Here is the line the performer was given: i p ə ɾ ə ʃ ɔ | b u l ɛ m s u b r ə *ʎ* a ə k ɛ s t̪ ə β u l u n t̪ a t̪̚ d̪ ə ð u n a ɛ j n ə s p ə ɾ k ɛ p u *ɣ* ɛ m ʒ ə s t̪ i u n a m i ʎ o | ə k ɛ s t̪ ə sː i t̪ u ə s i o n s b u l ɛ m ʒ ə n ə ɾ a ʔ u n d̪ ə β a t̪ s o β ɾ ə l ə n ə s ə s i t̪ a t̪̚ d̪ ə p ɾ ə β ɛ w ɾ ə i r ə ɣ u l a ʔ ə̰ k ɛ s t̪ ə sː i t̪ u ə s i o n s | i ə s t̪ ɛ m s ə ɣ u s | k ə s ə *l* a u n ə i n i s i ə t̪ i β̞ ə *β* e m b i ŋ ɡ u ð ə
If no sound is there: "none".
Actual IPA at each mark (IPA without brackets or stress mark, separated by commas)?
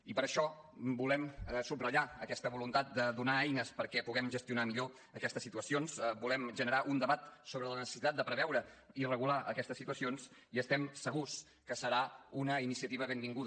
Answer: ʎ, ɣ, ɾ, β